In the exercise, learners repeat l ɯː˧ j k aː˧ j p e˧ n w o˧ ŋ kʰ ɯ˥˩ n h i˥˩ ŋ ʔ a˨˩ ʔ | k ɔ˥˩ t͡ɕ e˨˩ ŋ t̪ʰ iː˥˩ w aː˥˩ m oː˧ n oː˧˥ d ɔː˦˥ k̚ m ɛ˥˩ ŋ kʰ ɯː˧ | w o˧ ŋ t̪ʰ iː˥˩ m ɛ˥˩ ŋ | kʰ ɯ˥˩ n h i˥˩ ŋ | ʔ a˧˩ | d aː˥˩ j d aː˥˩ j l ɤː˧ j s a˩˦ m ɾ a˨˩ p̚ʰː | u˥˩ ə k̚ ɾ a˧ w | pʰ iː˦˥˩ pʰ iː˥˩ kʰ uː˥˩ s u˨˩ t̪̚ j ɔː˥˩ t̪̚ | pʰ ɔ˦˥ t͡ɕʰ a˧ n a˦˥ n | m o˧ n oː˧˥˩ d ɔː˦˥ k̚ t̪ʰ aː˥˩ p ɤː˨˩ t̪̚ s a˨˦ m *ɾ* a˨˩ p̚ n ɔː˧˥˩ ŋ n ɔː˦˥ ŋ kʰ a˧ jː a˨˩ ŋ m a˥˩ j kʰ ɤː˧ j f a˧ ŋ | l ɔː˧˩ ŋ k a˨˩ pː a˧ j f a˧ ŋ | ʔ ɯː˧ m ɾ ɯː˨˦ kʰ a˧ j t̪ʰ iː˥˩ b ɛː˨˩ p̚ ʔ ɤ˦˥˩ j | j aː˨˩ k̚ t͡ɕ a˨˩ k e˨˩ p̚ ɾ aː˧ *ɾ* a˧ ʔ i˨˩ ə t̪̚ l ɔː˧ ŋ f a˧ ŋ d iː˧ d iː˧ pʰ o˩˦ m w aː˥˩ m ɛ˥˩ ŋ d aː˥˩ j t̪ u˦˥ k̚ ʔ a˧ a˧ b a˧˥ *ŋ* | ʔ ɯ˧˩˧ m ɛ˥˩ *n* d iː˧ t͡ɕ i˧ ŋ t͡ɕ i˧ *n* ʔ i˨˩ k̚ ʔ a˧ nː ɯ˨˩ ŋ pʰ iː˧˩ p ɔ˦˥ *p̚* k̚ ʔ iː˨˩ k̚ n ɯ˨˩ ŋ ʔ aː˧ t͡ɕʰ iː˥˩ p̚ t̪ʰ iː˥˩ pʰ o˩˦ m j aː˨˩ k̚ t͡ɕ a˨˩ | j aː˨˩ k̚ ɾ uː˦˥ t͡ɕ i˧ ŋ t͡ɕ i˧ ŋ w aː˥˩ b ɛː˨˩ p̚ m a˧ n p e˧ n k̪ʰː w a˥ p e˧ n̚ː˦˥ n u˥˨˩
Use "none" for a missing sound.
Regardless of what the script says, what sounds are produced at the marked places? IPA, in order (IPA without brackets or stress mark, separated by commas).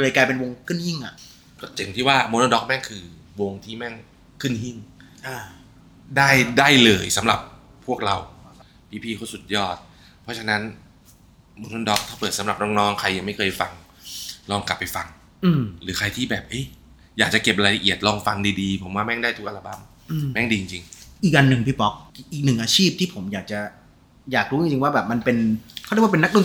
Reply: ɾ, l, m, ŋ, ŋ, k̚